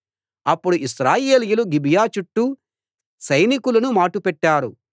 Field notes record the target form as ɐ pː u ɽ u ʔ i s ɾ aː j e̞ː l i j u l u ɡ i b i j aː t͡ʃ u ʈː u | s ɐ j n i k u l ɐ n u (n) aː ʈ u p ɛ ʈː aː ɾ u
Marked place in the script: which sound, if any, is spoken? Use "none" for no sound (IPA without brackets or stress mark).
m